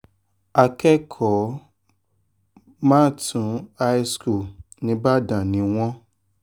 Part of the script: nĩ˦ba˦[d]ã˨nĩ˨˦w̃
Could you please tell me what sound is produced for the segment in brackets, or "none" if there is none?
d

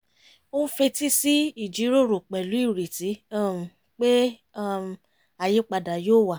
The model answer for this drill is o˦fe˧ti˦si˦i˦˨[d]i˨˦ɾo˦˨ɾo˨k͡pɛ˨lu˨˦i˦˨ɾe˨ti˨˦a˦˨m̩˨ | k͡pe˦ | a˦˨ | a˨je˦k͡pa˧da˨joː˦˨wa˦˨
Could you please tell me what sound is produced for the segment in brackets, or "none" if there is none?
d͡ʒ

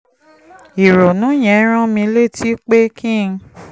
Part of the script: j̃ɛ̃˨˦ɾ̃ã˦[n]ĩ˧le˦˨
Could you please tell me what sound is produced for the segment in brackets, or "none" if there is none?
m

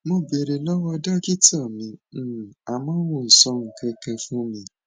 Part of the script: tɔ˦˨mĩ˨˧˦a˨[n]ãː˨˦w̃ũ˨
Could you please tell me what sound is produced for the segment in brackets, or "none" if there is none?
m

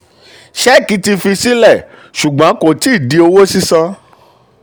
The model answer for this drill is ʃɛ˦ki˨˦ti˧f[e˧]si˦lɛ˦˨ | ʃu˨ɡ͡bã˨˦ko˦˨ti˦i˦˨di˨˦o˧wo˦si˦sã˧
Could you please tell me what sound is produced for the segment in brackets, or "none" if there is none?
i˧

